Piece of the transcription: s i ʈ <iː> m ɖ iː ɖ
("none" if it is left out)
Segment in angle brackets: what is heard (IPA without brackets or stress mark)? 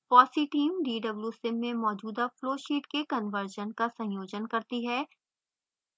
iː